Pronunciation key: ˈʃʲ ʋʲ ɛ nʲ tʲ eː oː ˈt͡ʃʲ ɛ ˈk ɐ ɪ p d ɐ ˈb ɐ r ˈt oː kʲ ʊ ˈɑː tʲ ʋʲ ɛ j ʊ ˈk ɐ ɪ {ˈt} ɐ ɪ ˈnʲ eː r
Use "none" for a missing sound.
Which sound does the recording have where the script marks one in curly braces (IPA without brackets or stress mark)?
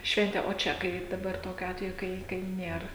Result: k